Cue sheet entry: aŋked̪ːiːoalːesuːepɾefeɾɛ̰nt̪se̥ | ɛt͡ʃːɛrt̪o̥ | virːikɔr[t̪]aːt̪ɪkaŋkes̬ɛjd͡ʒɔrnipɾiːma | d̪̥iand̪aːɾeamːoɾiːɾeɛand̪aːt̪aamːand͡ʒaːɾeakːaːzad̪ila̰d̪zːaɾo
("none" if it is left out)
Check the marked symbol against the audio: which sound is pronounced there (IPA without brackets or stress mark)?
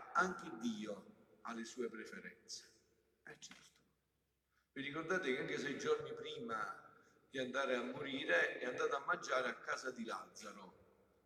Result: d̪